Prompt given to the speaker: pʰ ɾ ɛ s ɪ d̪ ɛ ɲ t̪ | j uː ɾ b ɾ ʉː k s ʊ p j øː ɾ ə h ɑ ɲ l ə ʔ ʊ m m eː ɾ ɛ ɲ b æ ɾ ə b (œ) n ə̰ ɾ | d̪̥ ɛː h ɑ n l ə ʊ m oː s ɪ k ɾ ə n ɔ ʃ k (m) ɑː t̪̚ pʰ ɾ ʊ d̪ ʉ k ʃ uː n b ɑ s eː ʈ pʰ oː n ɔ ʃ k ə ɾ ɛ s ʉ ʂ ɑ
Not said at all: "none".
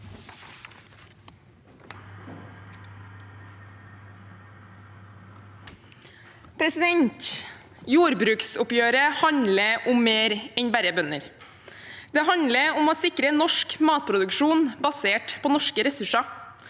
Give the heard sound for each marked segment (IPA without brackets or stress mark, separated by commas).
œ, m